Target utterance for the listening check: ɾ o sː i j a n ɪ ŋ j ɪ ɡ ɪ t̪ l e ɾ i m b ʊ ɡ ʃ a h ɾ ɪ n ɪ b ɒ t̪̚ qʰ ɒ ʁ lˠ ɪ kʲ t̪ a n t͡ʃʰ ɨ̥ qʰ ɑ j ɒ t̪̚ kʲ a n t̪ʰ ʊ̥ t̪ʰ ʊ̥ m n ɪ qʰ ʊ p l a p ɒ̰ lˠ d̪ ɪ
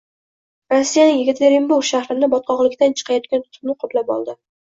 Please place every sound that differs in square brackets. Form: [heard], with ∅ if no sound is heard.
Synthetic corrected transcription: ɾ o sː i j a n ɪ ŋ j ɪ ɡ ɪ t̪ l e ɾ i m b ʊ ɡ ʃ a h ɾ ɪ n ɪ b ɒ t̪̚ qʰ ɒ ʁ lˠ ɪ kʲ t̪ a n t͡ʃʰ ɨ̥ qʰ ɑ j ɒ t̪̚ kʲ a n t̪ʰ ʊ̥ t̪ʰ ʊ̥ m n ɪ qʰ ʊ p l a p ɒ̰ lˠ d̪ ɪ